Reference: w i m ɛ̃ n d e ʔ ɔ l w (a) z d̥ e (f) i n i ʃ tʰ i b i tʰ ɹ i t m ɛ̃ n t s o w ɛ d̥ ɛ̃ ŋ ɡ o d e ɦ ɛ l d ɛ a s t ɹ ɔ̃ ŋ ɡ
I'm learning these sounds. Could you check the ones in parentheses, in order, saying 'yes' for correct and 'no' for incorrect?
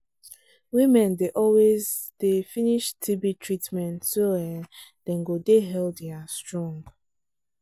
no, yes

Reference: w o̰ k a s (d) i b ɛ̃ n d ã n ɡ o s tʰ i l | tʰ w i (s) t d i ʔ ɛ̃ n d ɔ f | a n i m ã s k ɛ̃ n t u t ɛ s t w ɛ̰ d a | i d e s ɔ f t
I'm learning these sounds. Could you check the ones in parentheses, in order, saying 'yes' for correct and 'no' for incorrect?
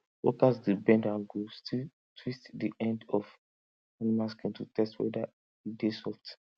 yes, yes

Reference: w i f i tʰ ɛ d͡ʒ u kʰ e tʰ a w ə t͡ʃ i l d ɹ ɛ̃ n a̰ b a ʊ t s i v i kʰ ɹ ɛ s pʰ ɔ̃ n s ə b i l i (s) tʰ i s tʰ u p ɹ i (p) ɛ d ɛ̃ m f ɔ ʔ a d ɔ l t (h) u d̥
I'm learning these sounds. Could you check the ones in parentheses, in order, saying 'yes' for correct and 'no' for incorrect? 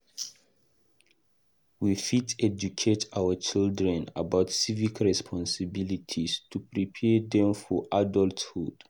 no, no, yes

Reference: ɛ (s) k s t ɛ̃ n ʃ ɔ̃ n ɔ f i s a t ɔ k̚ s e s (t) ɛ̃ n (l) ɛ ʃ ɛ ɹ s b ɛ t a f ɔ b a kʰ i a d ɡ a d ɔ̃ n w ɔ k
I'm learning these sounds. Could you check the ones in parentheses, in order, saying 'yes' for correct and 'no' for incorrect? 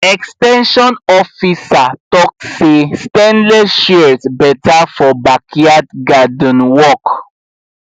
no, yes, yes

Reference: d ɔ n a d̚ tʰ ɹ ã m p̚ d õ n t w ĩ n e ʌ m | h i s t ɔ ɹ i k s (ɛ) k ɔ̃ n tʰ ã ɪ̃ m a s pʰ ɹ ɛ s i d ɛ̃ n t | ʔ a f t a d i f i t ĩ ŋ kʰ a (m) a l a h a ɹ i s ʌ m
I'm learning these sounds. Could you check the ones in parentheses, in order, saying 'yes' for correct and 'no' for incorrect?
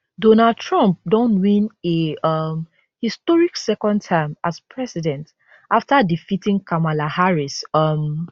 yes, yes

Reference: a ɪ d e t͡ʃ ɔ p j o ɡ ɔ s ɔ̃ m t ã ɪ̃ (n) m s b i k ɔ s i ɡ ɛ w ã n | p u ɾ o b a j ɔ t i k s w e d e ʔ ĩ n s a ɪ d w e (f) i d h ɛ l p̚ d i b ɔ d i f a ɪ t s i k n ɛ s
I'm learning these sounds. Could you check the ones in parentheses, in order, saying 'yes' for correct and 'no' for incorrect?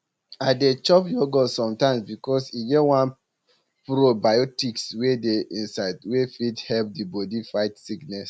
no, yes

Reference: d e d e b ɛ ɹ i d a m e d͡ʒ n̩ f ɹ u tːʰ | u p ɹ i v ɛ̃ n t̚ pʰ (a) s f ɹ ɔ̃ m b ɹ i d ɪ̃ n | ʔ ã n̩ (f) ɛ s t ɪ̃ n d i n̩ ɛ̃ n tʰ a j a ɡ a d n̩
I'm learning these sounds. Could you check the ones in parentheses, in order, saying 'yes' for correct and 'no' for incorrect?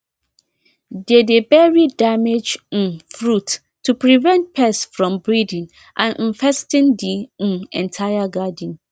no, yes

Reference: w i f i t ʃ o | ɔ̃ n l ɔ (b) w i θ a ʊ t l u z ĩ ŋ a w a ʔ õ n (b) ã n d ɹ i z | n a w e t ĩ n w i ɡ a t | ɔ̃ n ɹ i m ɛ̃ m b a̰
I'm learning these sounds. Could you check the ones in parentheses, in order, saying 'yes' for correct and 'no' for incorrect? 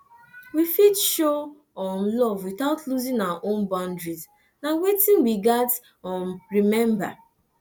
no, yes

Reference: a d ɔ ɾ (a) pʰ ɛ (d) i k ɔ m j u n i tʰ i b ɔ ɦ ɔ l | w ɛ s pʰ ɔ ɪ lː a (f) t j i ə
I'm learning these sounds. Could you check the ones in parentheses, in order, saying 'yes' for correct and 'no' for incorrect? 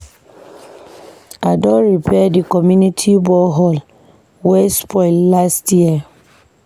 no, yes, no

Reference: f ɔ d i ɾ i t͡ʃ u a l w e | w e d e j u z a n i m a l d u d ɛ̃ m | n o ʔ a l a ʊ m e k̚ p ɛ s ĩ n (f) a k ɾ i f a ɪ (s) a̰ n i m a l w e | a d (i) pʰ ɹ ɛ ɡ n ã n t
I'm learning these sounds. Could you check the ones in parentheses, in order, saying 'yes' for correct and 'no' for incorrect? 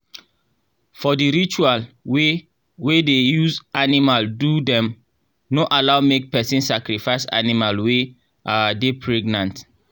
no, yes, no

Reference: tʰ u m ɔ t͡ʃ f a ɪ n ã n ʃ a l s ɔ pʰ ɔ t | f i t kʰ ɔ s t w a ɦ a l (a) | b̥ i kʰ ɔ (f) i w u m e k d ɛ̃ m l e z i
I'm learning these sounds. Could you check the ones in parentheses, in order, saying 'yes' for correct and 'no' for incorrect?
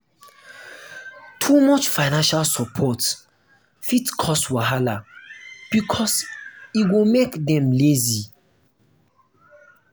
yes, no

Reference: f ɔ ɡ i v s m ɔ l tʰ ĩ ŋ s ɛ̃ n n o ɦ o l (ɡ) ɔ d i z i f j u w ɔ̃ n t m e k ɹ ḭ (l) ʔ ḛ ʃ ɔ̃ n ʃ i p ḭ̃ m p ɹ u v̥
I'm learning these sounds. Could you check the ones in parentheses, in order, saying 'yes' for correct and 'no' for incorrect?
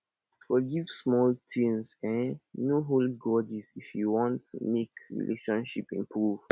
yes, yes

